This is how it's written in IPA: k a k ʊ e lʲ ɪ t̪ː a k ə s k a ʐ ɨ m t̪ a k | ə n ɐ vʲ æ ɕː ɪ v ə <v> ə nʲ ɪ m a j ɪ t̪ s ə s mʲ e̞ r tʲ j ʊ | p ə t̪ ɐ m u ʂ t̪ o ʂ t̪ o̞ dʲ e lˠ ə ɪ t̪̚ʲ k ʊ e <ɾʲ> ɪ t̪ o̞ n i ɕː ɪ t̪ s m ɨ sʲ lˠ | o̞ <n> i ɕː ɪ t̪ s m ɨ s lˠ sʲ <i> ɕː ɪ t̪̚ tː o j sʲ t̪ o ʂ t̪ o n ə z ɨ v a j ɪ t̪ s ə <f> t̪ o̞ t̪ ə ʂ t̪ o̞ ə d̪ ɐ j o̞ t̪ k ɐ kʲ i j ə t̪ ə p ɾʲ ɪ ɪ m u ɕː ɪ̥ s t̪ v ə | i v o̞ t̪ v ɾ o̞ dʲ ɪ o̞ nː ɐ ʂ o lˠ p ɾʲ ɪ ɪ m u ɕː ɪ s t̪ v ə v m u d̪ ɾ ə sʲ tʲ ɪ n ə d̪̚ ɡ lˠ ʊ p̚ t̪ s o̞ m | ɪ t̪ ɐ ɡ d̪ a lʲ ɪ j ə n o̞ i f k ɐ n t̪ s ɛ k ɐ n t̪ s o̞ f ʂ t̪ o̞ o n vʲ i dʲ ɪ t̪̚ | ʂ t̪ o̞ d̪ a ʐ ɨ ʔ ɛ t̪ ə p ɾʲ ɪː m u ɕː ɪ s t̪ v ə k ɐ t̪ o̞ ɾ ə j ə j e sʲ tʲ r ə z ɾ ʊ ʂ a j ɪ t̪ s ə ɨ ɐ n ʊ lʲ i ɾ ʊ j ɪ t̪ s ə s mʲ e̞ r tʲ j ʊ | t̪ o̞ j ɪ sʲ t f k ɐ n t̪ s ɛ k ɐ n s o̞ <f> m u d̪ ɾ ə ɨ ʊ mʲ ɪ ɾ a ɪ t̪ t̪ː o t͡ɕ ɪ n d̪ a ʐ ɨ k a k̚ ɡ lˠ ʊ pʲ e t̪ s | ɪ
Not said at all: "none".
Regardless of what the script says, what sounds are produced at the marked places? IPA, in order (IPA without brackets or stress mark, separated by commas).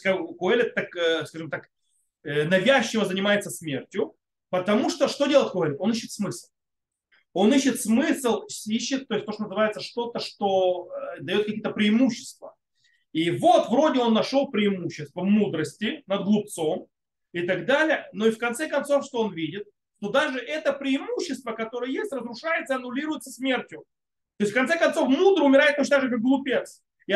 z, lʲ, n, i, ʂ, f